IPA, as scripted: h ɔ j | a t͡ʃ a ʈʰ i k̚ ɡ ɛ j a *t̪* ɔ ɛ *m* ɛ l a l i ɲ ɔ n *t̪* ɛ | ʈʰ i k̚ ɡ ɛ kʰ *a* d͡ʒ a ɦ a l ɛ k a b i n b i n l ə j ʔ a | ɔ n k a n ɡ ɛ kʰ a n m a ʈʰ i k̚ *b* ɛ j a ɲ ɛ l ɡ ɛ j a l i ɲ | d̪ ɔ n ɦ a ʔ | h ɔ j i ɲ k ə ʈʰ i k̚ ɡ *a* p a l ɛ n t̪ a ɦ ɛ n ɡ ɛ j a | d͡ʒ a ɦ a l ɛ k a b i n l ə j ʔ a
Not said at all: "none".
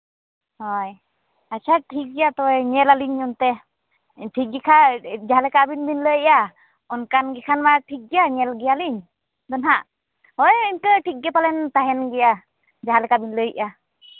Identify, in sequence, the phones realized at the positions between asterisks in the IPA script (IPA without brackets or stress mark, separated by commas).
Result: t̪, ɲ, t̪, a, ɡ, ɛ